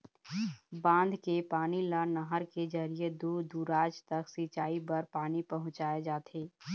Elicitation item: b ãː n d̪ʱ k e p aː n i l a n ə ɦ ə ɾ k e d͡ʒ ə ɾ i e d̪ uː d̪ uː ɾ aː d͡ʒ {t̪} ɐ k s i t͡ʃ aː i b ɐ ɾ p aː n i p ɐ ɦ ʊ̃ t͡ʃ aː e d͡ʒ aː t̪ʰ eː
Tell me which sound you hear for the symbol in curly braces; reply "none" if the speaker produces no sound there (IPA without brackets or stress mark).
t̪